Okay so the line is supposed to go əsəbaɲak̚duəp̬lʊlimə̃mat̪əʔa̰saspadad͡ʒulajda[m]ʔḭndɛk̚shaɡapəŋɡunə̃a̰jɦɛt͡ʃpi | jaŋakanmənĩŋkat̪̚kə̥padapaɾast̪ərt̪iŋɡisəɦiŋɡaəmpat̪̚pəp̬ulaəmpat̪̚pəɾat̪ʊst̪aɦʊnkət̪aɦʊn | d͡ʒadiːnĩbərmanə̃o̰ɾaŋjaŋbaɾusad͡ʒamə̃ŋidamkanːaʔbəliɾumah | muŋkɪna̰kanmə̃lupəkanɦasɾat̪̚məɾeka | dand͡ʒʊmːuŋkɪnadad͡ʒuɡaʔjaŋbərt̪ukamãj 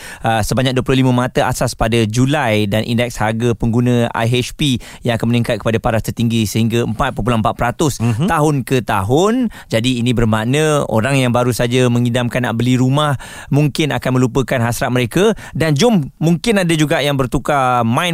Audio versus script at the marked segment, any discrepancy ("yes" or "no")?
yes